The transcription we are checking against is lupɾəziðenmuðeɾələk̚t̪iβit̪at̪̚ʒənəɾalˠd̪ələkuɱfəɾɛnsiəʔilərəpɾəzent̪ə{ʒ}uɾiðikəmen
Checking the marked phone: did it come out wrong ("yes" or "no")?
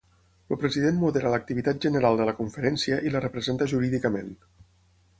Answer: no